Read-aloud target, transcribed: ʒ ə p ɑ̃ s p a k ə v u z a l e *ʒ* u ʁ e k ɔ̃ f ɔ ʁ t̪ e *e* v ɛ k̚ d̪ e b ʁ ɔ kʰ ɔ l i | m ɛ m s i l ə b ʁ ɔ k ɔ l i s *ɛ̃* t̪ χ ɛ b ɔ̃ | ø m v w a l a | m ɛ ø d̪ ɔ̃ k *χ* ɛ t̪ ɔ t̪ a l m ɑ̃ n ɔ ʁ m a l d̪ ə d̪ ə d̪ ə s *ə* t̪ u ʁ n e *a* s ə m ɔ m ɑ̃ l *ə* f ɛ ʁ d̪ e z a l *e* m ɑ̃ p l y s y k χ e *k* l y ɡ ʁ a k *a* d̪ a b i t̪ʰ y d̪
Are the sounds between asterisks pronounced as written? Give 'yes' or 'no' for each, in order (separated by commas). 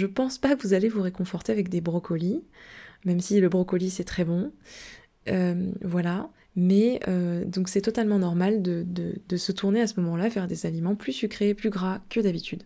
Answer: no, no, no, no, yes, yes, no, no, no, no